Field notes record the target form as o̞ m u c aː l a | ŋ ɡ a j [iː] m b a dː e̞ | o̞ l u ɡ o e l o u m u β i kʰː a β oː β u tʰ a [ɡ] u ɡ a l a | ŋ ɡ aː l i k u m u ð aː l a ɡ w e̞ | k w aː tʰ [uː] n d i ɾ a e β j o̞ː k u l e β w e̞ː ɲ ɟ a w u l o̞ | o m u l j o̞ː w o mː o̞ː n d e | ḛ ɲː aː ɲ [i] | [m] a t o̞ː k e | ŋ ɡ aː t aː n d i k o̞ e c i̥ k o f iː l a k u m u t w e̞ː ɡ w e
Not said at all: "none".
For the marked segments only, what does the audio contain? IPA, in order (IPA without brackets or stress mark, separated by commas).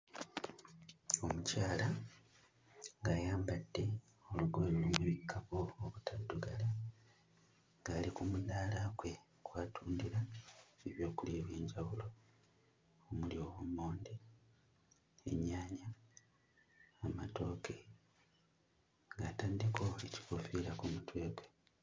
aː, d, uː, a, m